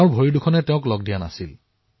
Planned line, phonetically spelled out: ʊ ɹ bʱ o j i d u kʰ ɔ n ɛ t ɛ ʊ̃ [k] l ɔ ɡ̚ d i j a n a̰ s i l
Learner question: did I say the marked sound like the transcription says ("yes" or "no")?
yes